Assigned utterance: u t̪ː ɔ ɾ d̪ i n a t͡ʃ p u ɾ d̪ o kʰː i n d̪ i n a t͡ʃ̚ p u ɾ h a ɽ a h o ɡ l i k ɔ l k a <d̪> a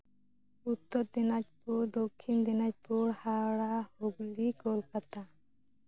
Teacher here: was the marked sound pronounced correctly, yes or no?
no